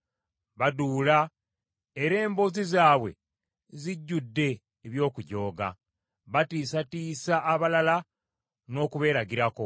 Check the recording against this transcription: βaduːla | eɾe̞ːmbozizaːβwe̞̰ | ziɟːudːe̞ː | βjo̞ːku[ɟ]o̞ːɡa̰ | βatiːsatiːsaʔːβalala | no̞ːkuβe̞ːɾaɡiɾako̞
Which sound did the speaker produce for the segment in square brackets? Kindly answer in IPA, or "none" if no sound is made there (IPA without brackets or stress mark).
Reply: ɟ